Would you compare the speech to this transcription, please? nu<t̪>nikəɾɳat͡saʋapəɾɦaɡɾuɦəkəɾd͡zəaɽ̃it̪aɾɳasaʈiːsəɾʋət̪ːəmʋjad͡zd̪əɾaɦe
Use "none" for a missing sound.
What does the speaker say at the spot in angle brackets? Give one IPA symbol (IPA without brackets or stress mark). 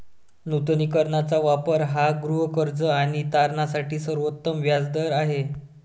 t̪